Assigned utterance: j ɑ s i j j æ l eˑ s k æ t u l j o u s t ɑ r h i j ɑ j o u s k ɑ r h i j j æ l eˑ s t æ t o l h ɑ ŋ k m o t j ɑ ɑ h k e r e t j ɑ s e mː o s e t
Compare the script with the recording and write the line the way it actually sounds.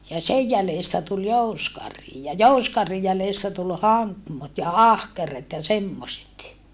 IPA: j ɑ s e j j æ l eˑ s t æ t u l j o u s k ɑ r h i j ɑ j o u s k ɑ r h i j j æ l eˑ s t æ t u l h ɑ ŋ k m o t j ɑ ɑ h k e r e t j ɑ s e mː o s e t